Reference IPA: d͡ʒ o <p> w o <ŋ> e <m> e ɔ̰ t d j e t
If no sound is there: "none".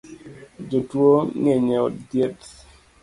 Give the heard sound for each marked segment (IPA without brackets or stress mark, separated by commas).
t, ŋ, ɲ